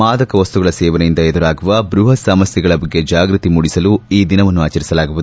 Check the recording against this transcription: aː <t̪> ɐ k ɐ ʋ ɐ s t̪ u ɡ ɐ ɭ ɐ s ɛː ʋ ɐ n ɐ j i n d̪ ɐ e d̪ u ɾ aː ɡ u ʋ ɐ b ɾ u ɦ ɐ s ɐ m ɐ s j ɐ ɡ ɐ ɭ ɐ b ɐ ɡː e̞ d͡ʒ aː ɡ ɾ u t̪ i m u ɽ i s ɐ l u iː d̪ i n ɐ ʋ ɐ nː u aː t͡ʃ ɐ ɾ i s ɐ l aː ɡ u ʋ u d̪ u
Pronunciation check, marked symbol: incorrect: d̪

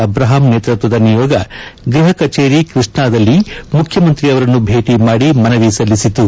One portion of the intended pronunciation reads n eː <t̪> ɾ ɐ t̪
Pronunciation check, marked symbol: correct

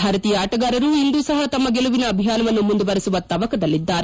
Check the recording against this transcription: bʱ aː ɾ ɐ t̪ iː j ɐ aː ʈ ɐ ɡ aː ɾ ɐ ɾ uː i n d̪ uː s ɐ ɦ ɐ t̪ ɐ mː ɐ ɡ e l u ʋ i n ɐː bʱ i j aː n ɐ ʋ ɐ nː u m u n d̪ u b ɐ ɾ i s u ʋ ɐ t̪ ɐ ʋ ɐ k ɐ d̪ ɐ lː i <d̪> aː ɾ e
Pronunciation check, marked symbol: incorrect: d̪ː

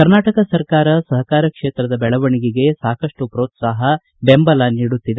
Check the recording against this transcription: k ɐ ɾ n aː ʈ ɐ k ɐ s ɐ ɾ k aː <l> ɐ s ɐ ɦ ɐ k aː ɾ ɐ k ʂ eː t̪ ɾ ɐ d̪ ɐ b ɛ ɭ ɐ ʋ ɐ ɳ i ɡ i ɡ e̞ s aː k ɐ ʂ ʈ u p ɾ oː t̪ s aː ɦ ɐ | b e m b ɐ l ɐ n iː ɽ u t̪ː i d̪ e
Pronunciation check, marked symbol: incorrect: ɾ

